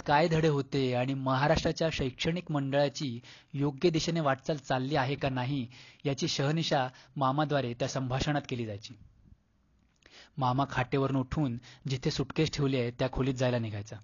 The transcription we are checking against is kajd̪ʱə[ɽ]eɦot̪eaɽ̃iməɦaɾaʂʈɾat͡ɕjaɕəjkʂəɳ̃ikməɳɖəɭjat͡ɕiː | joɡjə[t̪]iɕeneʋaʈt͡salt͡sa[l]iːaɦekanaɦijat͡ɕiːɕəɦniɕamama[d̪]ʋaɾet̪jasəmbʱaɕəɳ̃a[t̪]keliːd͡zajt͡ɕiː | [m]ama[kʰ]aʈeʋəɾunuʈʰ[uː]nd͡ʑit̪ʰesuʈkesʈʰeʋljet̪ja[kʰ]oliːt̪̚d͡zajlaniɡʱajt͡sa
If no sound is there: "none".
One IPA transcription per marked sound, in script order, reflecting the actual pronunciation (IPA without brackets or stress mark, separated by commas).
ɽ, d̪, lː, d̪, t̪, m, kʰ, uː, kʰ